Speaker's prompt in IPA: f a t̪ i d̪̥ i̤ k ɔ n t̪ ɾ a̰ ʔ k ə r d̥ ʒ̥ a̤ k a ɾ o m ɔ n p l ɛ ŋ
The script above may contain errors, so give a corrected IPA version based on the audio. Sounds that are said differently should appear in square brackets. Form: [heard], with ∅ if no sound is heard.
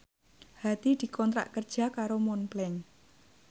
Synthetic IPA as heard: [h] a t̪ i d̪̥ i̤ k ɔ n t̪ ɾ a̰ ʔ k ə r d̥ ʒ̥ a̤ k a ɾ o m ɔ n p l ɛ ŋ